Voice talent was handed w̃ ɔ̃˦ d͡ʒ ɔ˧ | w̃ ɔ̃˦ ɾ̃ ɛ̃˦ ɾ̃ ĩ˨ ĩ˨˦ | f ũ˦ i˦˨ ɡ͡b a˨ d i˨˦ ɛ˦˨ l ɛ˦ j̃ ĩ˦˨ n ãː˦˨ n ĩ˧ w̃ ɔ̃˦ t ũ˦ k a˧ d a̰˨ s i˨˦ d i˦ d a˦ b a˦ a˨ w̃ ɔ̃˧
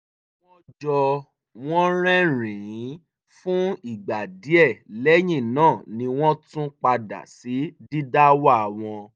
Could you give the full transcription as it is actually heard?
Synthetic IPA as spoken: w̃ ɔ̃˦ d͡ʒ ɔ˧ | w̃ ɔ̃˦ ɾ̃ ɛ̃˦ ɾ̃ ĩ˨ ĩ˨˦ | f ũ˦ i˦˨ ɡ͡b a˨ d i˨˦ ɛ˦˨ l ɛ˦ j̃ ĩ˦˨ n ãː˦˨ n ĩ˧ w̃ ɔ̃˦ t ũ˦ k͡p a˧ d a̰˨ s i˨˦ d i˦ d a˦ w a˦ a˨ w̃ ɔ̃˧